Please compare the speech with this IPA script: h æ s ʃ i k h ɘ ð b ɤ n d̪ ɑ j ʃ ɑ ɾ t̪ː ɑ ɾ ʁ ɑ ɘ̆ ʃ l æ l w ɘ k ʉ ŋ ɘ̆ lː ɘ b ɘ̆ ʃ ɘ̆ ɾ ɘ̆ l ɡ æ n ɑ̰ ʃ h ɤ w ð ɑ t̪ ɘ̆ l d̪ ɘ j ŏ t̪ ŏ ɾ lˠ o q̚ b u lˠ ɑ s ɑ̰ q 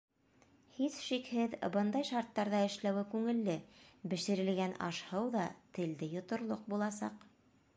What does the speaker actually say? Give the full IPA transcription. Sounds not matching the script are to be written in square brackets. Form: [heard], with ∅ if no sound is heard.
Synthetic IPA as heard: h [i] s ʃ i k h ɘ ð b ɤ n d̪ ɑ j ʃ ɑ ɾ t̪ː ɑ ɾ [ð] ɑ ɘ̆ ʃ l æ [∅] w ɘ k ʉ ŋ ɘ̆ lː ɘ b ɘ̆ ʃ ɘ̆ ɾ ɘ̆ l ɡ æ n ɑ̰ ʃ h ɤ w ð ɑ t̪ ɘ̆ l d̪ ɘ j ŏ t̪ ŏ ɾ lˠ o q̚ b u lˠ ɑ s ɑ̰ q